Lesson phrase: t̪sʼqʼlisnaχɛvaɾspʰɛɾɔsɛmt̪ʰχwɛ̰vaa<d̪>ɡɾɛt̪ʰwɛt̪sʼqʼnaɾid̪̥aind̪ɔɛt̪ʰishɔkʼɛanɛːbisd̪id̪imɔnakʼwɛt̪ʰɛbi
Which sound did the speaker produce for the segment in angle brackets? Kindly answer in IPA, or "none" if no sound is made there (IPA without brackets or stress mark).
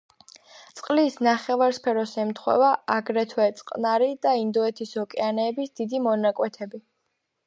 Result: none